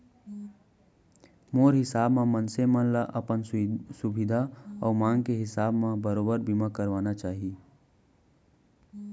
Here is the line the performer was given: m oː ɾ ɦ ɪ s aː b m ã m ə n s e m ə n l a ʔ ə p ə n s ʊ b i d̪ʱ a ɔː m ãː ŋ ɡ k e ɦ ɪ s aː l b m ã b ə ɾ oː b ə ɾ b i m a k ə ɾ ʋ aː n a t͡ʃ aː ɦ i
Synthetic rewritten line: m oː ɾ ɦ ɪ s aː b m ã m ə n s e m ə n l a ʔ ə p ə n s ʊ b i d̪ʱ a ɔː m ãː ŋ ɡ k e ɦ ɪ s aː b m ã b ə ɾ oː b ə ɾ b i m a k ə ɾ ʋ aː n a t͡ʃ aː ɦ i